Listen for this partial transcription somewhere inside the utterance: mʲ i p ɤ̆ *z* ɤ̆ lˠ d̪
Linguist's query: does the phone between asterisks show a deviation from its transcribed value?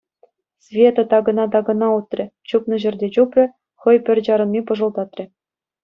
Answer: yes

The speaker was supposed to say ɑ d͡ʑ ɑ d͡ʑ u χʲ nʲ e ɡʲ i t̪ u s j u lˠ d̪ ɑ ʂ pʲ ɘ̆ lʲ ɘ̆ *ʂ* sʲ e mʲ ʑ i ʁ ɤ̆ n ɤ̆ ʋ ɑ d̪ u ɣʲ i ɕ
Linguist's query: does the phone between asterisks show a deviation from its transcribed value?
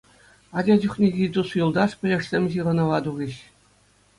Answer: no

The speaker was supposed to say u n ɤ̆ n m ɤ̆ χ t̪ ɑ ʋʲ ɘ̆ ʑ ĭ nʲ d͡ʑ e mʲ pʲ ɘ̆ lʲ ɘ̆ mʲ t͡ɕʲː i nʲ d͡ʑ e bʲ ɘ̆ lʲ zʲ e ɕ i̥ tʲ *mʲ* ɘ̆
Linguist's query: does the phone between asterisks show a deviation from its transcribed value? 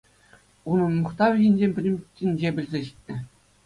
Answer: yes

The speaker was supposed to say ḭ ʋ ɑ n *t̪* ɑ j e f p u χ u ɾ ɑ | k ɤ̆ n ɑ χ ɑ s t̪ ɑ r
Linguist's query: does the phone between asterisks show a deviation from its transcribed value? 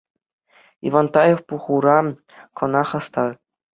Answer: no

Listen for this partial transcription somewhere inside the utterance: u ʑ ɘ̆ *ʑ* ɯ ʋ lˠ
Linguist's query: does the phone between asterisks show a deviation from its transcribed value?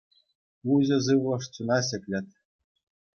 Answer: yes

